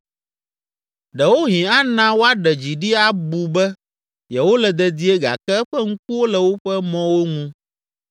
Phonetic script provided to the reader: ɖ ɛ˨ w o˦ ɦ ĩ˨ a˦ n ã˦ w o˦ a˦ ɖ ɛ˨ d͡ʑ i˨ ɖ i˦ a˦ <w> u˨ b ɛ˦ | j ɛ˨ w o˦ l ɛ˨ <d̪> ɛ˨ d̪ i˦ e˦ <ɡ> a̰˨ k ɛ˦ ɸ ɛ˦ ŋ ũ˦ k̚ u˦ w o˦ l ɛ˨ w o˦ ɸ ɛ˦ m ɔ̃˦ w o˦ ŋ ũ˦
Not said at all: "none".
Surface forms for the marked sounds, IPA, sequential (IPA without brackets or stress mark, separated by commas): b, d̪, ɡ